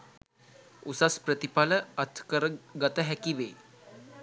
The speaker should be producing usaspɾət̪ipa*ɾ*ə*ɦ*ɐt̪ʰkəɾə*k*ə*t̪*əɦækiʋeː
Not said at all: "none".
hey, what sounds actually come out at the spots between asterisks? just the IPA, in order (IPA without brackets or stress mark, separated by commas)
l, none, ɡ, t̪